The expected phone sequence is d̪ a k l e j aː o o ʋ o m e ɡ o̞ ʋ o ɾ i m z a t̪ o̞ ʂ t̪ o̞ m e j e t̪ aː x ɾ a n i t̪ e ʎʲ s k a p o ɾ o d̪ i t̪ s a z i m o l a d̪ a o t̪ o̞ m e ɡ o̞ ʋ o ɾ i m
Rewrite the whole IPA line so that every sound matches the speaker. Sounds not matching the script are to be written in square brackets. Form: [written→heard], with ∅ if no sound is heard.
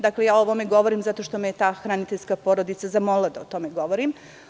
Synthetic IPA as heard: d̪ a k l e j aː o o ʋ o m e ɡ o̞ ʋ o ɾ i m z a t̪ o̞ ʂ t̪ o̞ m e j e t̪ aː x ɾ a n i t̪ e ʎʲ s k a p o ɾ o d̪ i t̪ s a z [i→a] m o l a d̪ a o t̪ o̞ m e ɡ o̞ ʋ o ɾ i m